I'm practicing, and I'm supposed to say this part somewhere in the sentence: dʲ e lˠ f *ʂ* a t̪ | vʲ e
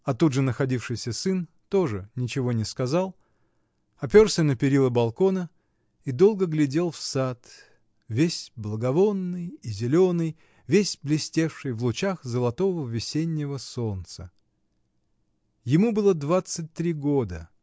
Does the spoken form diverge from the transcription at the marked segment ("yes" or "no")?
yes